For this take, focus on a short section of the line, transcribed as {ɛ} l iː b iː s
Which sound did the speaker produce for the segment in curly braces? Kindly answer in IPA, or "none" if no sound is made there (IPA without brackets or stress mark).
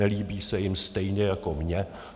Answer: ɛ